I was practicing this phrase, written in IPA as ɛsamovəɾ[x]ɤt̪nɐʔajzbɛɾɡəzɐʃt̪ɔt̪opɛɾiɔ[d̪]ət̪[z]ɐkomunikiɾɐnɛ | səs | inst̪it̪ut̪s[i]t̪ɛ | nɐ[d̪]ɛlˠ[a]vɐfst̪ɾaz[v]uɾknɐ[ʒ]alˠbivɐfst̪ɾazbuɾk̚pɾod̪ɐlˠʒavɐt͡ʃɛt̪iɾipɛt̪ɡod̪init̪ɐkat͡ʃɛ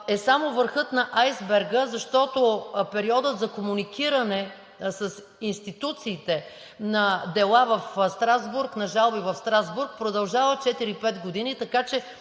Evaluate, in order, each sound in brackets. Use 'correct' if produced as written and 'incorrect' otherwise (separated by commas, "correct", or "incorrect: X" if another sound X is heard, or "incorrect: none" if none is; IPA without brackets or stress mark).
correct, correct, correct, incorrect: iː, correct, correct, incorrect: b, correct